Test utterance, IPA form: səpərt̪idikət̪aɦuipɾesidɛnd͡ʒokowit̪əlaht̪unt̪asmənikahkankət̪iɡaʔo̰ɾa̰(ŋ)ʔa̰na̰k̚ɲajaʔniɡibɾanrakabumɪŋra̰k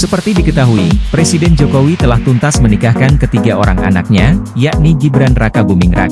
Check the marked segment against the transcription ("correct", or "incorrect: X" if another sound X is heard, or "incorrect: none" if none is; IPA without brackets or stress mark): correct